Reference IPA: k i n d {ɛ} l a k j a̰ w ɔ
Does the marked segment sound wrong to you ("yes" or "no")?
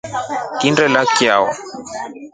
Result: no